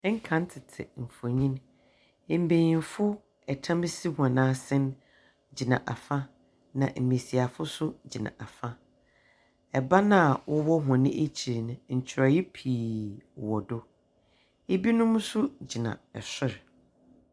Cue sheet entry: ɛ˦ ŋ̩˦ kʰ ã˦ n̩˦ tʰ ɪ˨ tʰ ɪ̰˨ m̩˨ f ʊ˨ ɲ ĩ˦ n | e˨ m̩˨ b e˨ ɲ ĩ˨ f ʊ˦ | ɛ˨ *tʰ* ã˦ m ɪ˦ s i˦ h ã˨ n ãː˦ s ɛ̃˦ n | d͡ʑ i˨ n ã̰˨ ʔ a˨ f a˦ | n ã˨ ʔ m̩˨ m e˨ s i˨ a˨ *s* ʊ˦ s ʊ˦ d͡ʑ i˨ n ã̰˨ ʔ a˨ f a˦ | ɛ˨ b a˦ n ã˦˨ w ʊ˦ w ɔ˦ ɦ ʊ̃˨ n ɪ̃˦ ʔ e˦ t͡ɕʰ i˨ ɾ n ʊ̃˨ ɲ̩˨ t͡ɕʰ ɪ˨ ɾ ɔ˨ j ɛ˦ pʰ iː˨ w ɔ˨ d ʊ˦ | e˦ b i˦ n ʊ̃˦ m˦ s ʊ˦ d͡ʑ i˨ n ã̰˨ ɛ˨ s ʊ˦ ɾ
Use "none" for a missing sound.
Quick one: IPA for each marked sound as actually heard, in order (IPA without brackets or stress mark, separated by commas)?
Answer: tʰ, f